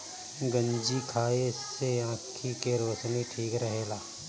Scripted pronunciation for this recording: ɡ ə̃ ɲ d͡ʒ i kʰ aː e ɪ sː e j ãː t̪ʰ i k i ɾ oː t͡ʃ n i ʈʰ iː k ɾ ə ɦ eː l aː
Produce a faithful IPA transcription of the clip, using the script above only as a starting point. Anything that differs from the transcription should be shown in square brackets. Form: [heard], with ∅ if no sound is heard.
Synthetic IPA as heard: ɡ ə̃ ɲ d͡ʒ i kʰ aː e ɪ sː e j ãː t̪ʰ i k [e] ɾ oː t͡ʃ n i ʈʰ iː k ɾ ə ɦ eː l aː